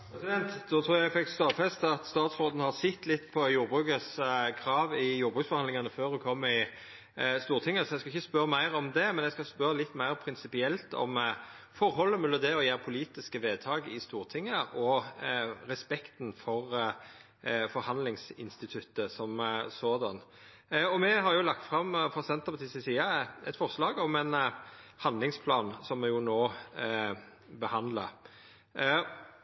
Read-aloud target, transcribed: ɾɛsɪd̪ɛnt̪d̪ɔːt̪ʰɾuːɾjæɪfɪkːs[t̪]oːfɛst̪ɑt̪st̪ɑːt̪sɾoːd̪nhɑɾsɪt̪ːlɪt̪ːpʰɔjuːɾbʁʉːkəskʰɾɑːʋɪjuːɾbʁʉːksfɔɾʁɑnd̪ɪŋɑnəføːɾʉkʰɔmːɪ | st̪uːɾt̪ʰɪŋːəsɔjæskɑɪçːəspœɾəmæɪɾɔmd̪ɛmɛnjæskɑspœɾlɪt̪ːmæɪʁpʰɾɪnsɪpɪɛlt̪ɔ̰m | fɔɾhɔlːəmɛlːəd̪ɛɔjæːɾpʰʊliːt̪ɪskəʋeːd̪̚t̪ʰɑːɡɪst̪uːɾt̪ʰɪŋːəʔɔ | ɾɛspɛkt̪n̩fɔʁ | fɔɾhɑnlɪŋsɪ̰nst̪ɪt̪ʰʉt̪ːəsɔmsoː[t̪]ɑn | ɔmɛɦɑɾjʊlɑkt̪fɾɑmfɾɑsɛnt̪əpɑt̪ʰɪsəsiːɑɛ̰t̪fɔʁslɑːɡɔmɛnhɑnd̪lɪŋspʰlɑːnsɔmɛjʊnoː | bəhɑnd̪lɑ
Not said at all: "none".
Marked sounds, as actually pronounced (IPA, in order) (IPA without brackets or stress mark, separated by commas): t̪, d̪